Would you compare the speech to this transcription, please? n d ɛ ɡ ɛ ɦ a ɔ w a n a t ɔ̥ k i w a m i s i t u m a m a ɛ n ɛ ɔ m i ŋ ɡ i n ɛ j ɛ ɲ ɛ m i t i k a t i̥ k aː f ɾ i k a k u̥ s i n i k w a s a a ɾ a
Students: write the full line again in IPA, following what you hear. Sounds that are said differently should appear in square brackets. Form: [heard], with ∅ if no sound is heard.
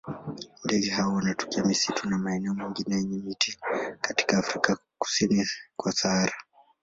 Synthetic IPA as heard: n d ɛ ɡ ɛ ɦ a ɔ w a n a t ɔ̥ k i [∅] a m i s i t u [n] a m a ɛ n ɛ ɔ m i ŋ ɡ i n ɛ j ɛ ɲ ɛ m i t i k a t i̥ k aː f ɾ i k a k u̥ s i n i k w a s a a ɾ a